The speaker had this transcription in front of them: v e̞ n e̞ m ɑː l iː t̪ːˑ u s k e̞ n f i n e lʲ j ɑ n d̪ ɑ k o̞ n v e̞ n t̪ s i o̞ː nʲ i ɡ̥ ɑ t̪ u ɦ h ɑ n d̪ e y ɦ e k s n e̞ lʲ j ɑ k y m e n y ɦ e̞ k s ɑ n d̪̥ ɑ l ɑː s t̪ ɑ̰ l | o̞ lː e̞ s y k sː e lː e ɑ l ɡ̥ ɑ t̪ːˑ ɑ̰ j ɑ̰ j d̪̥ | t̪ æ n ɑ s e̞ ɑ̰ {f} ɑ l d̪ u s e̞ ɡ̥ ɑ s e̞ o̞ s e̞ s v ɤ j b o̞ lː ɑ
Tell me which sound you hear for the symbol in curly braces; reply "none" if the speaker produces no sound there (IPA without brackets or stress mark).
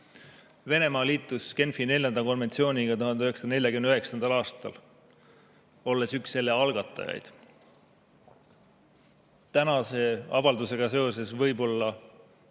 v